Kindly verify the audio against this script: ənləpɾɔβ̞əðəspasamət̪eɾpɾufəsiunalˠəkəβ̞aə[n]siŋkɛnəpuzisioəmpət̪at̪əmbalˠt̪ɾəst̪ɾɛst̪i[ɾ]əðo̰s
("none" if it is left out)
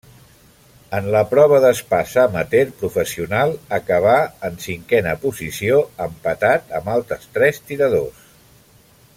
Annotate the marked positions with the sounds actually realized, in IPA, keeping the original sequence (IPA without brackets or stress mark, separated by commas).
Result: n, ɾ